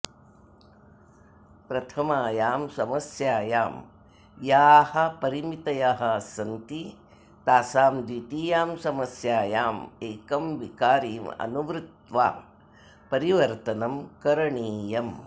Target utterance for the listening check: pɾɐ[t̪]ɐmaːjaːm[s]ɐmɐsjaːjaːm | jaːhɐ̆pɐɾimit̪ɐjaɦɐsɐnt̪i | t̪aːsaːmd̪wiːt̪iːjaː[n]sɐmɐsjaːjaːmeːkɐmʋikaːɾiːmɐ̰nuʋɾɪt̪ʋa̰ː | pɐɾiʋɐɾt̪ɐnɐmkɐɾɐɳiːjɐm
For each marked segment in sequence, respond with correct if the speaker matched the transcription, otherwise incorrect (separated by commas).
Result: incorrect, correct, incorrect